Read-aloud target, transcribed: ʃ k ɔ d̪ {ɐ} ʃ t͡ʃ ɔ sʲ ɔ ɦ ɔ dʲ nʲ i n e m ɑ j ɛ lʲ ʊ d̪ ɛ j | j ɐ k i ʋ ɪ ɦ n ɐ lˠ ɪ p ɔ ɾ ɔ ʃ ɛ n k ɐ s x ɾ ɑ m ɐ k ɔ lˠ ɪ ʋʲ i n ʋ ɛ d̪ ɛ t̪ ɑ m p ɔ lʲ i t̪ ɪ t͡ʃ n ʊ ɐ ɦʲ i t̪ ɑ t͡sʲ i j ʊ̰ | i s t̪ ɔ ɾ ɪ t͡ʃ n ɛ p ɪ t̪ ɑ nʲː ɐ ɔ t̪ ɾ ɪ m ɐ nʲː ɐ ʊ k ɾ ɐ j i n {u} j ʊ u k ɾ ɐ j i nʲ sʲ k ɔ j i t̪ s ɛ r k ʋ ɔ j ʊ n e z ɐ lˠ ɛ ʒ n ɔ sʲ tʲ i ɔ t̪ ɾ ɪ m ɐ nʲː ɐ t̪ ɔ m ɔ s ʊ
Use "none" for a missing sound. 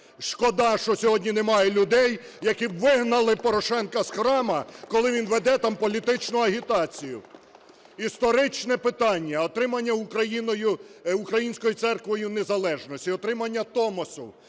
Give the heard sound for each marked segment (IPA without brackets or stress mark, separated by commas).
ɑ, ɔ